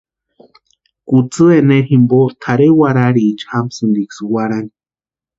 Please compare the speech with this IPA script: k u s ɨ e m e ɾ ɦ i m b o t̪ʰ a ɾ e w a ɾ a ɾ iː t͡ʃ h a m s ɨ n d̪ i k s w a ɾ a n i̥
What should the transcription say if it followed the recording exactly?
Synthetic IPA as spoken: k u t͡s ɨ e n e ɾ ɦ i m b o t̪ʰ a ɾ e w a ɾ a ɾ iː t͡ʃ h a m s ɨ n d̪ i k s w a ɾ a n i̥